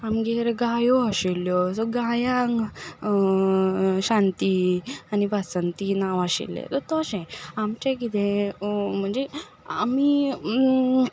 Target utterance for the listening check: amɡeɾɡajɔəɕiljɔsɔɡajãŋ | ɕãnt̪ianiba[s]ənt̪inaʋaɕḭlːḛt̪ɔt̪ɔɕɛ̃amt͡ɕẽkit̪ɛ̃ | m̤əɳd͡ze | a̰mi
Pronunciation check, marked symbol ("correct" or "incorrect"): correct